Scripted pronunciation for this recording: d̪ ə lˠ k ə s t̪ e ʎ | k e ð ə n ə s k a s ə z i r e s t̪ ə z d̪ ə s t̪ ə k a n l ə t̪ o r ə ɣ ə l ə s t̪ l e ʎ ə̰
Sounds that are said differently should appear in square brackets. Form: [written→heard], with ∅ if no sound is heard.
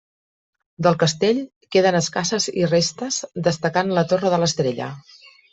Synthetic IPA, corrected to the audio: d̪ ə lˠ k ə s t̪ e ʎ | k e ð ə n ə s k a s ə z i r e s t̪ ə z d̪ ə s t̪ ə k a n l ə t̪ o r ə [ɣ→ð] ə l ə s t̪ [l→ɾ] e ʎ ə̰